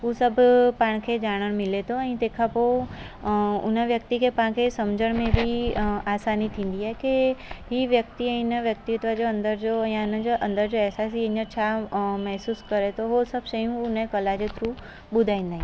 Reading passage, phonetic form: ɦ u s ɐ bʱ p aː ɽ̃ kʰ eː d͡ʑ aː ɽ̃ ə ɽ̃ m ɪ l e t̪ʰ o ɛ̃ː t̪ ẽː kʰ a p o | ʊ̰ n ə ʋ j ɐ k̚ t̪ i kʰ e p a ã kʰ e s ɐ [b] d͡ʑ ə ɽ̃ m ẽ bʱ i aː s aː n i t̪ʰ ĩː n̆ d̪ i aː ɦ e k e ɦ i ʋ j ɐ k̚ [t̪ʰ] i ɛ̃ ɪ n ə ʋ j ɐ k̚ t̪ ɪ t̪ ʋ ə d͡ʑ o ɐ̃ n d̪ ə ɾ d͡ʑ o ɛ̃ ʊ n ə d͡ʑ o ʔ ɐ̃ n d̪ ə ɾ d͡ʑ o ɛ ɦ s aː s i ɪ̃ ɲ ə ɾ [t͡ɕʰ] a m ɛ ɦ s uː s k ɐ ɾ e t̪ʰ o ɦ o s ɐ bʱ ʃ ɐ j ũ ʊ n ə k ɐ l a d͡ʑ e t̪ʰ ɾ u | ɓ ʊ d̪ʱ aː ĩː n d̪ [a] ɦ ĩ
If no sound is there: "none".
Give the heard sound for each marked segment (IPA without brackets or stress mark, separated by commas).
m, t̪, t͡ɕʰ, a